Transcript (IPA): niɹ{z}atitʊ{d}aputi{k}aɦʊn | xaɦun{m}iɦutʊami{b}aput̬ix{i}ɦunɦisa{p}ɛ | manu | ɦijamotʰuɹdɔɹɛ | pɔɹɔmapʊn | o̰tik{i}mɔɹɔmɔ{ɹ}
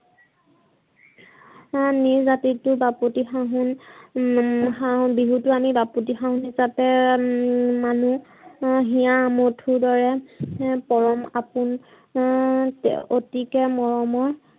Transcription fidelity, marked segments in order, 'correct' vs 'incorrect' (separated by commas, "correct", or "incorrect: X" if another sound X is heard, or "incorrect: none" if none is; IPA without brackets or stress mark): correct, incorrect: b, incorrect: x, incorrect: b, correct, incorrect: a, correct, incorrect: ɛ, correct